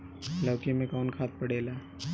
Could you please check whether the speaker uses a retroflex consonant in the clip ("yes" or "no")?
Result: yes